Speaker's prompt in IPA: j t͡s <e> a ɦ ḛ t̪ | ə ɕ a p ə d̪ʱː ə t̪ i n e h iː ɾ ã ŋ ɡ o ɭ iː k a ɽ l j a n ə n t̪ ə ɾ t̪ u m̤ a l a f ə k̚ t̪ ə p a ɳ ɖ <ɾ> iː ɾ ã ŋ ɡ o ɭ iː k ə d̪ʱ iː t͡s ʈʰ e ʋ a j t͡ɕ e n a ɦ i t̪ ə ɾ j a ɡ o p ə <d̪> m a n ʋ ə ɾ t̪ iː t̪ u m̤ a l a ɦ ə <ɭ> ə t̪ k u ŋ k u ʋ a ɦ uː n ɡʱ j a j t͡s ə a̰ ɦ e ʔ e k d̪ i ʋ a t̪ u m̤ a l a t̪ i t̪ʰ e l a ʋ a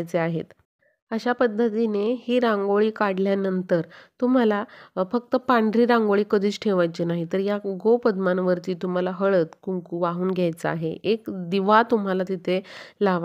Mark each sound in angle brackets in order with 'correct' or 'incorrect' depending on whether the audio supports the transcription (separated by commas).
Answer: correct, correct, correct, correct